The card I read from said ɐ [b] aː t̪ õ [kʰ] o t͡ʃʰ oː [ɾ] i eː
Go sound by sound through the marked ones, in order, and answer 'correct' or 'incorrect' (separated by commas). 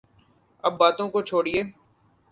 incorrect, incorrect, incorrect